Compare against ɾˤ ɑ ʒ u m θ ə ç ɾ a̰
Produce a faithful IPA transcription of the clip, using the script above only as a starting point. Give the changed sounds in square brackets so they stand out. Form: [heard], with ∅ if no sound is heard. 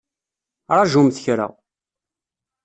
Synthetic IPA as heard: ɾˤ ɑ ʒ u m θ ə ç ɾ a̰